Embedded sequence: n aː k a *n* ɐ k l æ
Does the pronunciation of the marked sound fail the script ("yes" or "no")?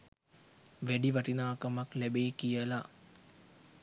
yes